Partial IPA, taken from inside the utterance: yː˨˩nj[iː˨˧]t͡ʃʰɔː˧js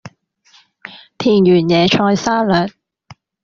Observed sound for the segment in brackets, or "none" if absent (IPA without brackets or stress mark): ɛː˨˧